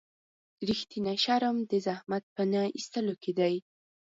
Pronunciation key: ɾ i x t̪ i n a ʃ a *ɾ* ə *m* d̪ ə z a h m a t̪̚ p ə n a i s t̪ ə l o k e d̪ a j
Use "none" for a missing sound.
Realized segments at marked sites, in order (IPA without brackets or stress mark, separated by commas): ɾ, m